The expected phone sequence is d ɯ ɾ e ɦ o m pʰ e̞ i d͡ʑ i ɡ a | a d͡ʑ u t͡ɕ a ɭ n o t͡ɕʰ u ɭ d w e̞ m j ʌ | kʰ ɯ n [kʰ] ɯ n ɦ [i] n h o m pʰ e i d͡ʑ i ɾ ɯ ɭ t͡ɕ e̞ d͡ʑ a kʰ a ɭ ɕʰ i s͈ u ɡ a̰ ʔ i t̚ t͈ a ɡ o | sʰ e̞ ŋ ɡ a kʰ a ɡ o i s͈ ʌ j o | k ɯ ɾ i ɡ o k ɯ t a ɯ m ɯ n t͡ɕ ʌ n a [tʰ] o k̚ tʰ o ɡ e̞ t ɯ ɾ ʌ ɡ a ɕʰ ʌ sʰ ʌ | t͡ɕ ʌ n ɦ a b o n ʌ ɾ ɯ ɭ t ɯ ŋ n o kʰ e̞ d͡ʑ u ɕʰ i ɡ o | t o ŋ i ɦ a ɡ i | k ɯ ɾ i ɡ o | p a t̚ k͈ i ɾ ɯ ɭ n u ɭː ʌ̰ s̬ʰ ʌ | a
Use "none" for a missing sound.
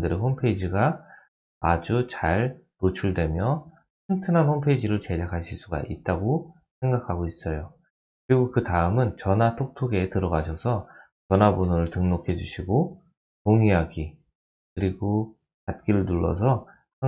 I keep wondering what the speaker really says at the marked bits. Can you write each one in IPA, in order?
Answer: tʰ, a, tʰ

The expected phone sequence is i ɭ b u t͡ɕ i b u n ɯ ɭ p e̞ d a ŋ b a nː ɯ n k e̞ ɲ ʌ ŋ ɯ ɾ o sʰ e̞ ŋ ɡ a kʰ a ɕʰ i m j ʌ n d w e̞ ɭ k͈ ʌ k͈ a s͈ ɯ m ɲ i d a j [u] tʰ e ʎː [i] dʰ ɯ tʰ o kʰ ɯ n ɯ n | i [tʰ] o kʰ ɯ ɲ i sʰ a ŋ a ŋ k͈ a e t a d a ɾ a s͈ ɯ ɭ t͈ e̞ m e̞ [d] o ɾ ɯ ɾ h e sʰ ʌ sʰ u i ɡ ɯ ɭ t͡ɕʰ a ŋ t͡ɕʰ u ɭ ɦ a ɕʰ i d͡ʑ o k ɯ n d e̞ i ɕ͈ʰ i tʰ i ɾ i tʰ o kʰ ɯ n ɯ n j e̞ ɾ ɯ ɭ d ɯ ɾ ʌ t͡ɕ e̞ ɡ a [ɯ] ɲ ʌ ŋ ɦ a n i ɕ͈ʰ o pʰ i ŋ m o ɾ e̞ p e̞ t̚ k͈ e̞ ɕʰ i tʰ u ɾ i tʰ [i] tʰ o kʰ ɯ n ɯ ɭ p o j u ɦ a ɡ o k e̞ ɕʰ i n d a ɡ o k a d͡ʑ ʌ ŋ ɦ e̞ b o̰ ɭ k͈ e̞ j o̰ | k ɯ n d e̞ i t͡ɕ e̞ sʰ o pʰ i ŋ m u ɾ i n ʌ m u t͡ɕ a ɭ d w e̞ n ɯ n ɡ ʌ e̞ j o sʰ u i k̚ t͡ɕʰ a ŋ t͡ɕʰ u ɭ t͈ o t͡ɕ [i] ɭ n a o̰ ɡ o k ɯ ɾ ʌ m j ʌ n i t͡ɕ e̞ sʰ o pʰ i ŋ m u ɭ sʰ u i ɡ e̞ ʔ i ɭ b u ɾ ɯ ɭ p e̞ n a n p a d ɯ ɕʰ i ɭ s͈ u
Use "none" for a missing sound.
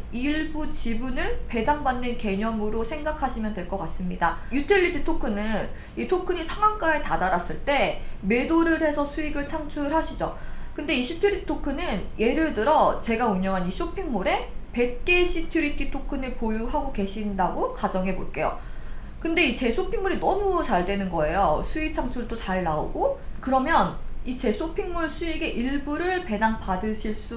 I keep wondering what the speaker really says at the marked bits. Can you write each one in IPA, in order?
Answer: u, i, tʰ, d, u, i, a

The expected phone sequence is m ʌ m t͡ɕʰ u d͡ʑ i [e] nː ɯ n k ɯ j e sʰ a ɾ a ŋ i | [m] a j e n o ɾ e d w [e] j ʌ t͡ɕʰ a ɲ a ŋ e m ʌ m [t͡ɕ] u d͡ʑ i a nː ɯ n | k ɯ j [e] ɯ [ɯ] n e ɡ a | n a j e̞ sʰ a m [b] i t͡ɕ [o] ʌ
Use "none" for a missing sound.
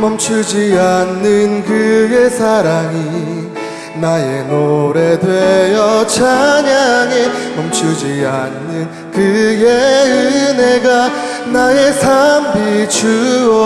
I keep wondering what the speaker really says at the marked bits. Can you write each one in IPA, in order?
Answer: a, n, e, t͡ɕʰ, e, ɯ, b, u

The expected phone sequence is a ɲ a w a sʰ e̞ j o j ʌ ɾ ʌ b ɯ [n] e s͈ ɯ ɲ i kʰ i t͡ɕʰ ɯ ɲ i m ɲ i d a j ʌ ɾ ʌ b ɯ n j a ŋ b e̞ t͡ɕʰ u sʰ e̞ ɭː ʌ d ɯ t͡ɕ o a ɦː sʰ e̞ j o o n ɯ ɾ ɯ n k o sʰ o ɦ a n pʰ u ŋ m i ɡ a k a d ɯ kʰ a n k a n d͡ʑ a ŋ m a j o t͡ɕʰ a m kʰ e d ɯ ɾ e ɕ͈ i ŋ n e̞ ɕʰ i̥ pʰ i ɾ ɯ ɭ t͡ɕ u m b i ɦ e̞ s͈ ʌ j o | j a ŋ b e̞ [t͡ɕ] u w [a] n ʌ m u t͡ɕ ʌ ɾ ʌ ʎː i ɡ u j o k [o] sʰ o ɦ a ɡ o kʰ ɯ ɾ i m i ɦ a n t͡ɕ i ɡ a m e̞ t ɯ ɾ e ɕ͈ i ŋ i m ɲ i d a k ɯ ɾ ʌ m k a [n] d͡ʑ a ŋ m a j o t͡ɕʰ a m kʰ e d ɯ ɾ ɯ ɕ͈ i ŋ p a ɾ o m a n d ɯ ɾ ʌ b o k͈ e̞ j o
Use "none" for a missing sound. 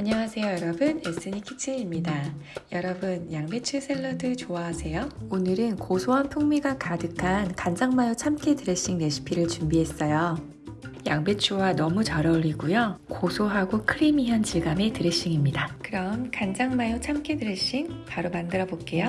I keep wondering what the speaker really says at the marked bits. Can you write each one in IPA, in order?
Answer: n, t͡ɕʰ, a, o, n

